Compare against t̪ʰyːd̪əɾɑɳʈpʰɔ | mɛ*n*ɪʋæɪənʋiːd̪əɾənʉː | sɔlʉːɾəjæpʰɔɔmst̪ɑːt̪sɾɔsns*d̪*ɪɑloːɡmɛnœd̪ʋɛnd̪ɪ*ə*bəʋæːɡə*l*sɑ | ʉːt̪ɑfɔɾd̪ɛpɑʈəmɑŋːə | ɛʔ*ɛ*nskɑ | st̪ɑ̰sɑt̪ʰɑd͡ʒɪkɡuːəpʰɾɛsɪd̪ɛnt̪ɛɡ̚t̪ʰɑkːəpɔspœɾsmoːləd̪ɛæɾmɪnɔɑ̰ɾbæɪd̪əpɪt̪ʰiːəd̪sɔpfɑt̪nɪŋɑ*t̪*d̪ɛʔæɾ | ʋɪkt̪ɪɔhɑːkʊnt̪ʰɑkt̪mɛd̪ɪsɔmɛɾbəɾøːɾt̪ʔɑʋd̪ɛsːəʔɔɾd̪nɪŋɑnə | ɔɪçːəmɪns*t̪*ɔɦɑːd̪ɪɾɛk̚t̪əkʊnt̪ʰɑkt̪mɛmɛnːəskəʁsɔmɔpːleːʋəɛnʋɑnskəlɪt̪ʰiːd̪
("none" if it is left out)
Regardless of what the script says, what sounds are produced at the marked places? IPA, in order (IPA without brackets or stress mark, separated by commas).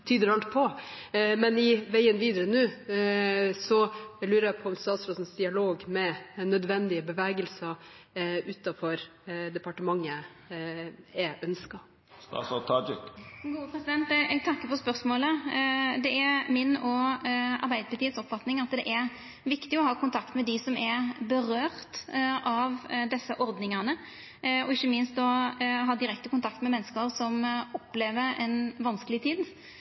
n, d̪, ə, l, œ, t̪, t̪